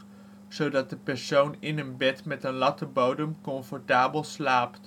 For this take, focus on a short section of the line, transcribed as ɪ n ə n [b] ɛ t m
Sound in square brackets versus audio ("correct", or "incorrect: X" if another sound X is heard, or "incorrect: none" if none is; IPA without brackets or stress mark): correct